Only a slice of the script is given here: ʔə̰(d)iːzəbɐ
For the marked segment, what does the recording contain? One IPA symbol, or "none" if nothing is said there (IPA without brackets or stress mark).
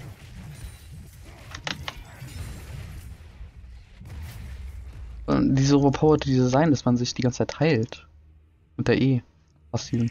d